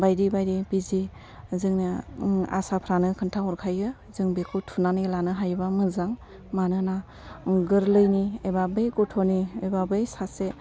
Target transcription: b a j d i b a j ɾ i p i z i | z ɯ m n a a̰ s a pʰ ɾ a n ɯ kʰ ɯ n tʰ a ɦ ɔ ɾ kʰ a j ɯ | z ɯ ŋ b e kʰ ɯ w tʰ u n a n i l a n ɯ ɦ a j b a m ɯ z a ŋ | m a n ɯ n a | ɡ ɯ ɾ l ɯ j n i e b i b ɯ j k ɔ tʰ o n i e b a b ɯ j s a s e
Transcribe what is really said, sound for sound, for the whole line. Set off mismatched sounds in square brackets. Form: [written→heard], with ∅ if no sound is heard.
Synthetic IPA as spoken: b a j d i b a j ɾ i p i z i | z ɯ [m→ŋ] n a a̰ s a pʰ ɾ a n ɯ kʰ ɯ n tʰ a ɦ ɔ ɾ kʰ a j ɯ | z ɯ ŋ b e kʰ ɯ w tʰ u n a n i l a n ɯ ɦ a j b a m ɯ z a ŋ | m a n ɯ n a | ɡ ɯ ɾ l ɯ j n i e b [i→a] b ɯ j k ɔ tʰ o n i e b a b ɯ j s a s e